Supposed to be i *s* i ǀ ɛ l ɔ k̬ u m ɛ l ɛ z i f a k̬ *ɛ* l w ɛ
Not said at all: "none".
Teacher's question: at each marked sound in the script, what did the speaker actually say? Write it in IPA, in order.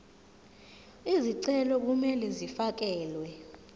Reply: z, ɛː

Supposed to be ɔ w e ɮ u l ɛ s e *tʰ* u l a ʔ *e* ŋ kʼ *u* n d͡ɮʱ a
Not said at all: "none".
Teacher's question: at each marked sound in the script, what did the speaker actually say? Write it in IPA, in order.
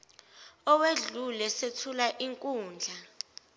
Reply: tʰ, i, uː

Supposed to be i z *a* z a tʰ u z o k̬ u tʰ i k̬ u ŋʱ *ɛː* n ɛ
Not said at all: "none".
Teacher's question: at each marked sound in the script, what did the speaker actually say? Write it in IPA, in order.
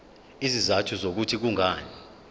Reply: i, aː

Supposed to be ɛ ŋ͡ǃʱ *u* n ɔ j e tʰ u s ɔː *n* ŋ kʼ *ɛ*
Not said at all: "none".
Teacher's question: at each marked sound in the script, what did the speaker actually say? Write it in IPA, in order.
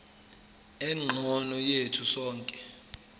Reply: ɔ, none, ɛ

